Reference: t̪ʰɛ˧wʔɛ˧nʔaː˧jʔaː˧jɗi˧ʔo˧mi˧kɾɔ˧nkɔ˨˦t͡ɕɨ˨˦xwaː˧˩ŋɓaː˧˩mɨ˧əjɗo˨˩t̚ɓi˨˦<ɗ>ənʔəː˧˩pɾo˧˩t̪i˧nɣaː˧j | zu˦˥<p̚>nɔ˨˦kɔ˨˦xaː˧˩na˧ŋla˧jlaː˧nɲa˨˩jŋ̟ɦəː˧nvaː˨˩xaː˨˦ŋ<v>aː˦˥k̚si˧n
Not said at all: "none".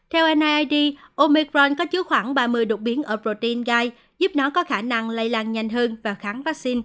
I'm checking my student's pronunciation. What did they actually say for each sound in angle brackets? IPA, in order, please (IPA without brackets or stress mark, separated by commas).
none, p̚, v